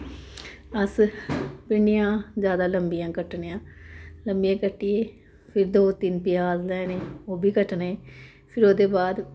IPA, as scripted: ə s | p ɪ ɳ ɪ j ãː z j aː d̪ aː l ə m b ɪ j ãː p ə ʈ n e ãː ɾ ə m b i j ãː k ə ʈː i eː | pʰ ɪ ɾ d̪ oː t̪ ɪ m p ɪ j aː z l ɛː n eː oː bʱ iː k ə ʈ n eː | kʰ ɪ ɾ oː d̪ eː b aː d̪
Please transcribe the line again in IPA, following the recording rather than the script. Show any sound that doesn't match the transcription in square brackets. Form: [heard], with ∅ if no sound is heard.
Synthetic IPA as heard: ə s | p ɪ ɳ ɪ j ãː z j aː d̪ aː l ə m b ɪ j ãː [k] ə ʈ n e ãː [l] ə m b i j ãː k ə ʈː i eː | pʰ ɪ ɾ d̪ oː t̪ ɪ [n] p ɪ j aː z l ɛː n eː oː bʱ iː k ə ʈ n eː | [pʰ] ɪ ɾ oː d̪ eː b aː d̪